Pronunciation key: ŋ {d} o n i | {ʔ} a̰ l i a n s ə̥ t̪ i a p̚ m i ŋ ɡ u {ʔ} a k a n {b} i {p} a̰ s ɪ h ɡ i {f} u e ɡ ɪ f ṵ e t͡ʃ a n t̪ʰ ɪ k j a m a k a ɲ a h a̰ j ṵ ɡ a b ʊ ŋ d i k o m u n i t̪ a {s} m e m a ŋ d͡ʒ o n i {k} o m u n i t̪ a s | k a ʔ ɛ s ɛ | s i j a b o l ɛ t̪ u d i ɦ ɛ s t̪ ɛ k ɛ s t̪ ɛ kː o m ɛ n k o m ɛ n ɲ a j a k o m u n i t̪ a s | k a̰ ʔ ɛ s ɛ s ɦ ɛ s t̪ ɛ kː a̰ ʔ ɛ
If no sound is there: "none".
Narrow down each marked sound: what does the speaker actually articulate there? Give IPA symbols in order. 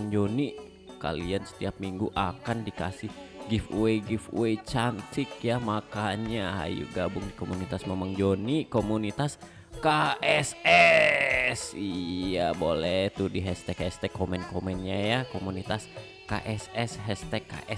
d͡ʒ, k, ʔ, d, k, f, s, k

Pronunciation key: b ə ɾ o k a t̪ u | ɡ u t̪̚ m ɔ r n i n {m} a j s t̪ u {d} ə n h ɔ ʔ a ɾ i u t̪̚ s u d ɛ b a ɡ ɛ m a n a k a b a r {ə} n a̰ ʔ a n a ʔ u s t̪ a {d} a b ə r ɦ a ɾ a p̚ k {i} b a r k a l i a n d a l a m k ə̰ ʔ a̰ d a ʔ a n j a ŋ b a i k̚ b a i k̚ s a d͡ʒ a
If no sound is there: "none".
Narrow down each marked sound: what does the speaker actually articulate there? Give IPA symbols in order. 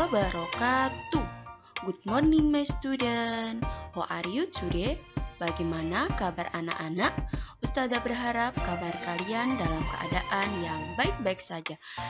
m, d, a, d, a

